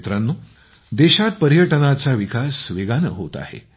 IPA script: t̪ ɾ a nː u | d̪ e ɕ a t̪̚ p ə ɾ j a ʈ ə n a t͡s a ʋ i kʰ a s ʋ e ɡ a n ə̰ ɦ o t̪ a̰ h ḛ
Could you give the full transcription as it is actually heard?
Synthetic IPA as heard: t̪ ɾ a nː u | d̪ e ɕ a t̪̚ p ə ɾ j ə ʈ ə n a t͡s a ʋ i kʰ a s ʋ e ɡ a n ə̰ ɦ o t̪ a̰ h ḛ